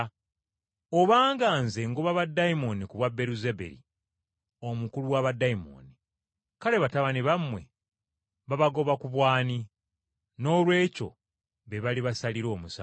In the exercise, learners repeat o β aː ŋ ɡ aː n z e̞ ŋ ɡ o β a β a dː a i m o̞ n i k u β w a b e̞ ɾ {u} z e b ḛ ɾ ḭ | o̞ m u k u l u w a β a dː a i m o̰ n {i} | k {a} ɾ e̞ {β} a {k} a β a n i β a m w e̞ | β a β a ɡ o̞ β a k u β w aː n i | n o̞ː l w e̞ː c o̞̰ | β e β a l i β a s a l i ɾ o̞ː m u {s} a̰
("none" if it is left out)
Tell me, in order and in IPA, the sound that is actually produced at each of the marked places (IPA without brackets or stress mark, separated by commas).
u, i, a, β, t, s